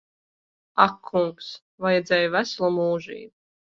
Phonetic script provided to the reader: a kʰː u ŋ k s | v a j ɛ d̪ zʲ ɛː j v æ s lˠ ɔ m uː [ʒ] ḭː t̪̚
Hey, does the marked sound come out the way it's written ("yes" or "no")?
yes